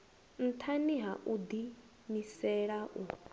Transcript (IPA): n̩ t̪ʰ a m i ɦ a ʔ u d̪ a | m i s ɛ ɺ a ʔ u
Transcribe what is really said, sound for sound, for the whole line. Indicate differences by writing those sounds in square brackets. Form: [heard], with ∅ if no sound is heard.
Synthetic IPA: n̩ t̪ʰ a [n] i ɦ a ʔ u d̪ [i] | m i s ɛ ɺ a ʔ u